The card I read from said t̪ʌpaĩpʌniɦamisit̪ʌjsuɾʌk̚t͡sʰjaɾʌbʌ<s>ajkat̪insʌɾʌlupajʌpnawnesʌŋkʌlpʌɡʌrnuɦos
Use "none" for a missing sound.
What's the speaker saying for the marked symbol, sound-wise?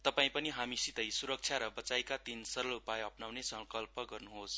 t͡s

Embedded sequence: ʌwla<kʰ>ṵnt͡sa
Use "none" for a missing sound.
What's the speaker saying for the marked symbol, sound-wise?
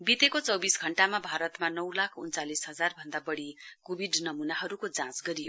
kʰ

